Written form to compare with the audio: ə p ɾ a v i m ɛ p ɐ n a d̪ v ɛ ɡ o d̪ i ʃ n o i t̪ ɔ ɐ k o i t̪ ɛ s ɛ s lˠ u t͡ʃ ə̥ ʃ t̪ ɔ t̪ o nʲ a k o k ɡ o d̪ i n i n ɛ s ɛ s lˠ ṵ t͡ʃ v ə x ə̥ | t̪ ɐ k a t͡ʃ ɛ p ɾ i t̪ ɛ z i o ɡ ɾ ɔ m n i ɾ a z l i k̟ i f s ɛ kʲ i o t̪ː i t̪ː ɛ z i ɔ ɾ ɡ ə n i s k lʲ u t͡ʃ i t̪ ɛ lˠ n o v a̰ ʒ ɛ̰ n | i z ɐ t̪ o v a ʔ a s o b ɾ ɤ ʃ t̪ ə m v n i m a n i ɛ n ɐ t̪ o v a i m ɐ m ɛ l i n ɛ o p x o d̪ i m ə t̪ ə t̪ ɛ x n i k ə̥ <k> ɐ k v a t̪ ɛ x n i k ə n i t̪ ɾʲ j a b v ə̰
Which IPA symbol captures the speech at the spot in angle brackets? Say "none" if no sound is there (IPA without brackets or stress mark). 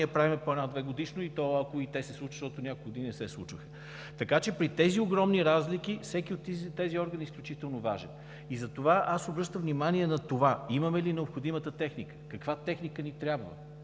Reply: k